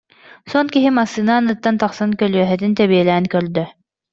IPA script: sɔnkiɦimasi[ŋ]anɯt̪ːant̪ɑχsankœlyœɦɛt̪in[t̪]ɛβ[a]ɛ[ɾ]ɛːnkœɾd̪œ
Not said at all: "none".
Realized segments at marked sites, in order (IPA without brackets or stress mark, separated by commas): n, t̪, i, l